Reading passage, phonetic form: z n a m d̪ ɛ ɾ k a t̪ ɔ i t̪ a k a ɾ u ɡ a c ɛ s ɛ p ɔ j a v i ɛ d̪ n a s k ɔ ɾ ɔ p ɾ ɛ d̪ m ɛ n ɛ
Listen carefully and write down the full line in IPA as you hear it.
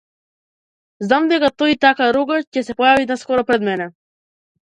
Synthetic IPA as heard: z n a m d̪ ɛ k a t̪ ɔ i t̪ a k a ɾ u ɡ a c ɛ s ɛ p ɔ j a v i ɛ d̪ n a s k ɔ ɾ ɔ p ɾ ɛ d̪ m ɛ n ɛ